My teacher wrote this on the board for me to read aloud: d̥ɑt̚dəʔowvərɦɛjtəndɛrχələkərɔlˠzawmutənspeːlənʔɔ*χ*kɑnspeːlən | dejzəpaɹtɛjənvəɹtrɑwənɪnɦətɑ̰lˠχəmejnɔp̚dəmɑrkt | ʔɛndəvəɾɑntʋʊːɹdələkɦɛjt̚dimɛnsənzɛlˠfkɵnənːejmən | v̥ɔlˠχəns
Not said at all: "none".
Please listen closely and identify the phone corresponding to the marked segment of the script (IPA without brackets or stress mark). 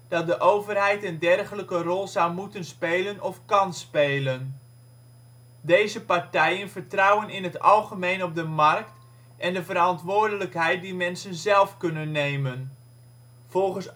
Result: f